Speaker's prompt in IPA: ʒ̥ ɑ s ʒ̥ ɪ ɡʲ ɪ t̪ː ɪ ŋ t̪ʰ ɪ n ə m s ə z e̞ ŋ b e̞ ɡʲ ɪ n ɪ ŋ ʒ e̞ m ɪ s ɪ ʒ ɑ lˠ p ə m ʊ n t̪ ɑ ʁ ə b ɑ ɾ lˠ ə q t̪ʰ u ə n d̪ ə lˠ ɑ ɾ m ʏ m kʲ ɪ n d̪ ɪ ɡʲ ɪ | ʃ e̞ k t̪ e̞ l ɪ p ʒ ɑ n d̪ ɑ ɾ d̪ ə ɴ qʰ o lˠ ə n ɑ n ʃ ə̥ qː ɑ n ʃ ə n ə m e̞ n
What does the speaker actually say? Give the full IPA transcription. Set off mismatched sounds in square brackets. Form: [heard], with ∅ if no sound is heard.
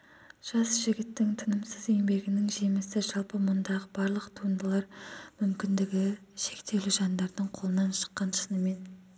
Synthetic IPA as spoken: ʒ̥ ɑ s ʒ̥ ɪ ɡʲ ɪ t̪ː ɪ ŋ t̪ʰ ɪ n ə m s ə z e̞ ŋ b e̞ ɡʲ ɪ n ɪ ŋ ʒ e̞ m ɪ s ɪ ʒ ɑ lˠ p ə m ʊ n [d̪] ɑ ʁ ə b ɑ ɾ lˠ ə q t̪ʰ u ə n d̪ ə lˠ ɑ ɾ m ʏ m kʲ ɪ n d̪ ɪ ɡʲ ɪ | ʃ e̞ k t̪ e̞ l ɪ [∅] ʒ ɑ n d̪ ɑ ɾ d̪ ə ɴ qʰ o lˠ ə n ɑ n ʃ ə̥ qː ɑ n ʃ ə n ə m e̞ n

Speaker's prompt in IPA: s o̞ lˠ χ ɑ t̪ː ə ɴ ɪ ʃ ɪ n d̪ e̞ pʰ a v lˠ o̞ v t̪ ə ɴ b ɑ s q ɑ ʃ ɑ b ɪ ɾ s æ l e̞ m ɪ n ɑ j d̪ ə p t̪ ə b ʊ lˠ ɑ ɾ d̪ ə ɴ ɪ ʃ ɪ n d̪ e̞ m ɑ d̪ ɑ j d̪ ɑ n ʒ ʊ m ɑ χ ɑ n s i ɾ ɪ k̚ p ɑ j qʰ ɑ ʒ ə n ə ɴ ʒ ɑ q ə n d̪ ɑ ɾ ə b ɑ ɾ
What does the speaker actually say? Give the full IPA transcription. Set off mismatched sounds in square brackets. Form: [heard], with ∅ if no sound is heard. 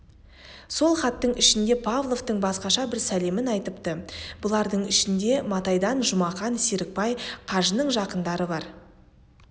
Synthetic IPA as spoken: s o̞ lˠ χ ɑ t̪ː ə ɴ ɪ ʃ ɪ n d̪ e̞ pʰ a v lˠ o̞ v t̪ ə ɴ b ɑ s q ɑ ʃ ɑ b ɪ ɾ s æ l e̞ m ɪ n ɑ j [t̪] ə p t̪ ə b ʊ lˠ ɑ ɾ d̪ ə ɴ ɪ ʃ ɪ n d̪ e̞ m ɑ [t̪] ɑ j d̪ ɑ n ʒ ʊ m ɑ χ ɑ n s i ɾ ɪ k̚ p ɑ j qʰ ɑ ʒ ə n ə ɴ ʒ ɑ q ə n d̪ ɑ ɾ ə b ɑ ɾ

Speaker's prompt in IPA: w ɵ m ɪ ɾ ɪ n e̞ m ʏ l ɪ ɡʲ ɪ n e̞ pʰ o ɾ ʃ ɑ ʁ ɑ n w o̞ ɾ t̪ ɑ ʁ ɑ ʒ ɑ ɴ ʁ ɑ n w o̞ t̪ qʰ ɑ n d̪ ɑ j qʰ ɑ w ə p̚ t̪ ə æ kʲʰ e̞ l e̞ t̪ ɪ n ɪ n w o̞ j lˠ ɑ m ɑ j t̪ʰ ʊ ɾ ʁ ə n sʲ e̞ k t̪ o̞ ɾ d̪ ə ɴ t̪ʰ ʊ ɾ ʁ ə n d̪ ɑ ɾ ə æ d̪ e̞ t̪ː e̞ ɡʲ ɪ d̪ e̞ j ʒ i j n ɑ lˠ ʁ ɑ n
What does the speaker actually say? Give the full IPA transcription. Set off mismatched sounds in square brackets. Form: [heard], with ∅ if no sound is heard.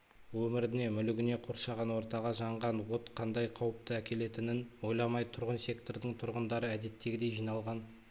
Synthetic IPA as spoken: w ɵ m ɪ ɾ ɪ n e̞ m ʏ l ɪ ɡʲ ɪ n e̞ [qʰ] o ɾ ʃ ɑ ʁ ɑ n w o̞ ɾ t̪ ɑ ʁ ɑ ʒ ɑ ɴ ʁ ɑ n w o̞ t̪ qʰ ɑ n d̪ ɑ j qʰ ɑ w ə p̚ t̪ ə æ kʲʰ e̞ l e̞ t̪ ɪ n ɪ n w o̞ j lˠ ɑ m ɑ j t̪ʰ ʊ ɾ ʁ ə n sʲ e̞ k t̪ o̞ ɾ d̪ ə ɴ t̪ʰ ʊ ɾ ʁ ə n d̪ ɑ ɾ ə æ d̪ e̞ t̪ː e̞ ɡʲ ɪ d̪ e̞ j ʒ i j n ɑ lˠ ʁ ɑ n

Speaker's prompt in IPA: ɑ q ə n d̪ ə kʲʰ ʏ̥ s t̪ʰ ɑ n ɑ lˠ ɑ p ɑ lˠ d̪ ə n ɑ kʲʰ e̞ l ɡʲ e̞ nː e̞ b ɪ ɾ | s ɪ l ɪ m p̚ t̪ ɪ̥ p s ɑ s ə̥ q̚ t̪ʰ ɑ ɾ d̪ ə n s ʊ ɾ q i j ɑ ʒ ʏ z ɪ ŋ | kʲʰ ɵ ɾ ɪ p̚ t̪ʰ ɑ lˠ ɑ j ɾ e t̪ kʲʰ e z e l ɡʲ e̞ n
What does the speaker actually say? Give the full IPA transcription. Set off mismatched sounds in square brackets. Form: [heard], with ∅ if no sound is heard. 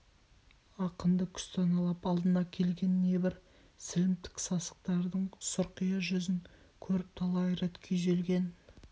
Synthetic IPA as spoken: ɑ q ə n d̪ ə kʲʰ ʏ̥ s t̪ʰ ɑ n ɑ lˠ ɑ p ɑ lˠ d̪ ə n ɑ kʲʰ e̞ l ɡʲ e̞ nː e̞ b ɪ ɾ | s ɪ l ɪ m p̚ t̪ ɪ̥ [k] s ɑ s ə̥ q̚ [t̪] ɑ ɾ d̪ ə [ɴ] s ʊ ɾ q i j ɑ ʒ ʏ z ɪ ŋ | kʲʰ ɵ ɾ ɪ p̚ t̪ʰ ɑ lˠ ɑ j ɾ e t̪ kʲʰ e [ʒ] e l ɡʲ e̞ n

